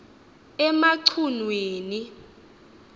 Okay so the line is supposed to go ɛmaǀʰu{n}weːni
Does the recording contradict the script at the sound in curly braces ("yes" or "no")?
no